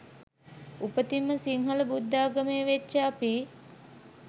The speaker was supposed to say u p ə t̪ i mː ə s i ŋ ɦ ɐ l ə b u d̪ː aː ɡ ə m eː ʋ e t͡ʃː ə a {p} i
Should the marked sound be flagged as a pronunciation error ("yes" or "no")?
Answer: no